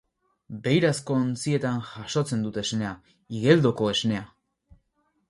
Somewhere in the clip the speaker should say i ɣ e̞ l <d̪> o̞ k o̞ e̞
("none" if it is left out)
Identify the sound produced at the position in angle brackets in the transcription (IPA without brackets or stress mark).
d̪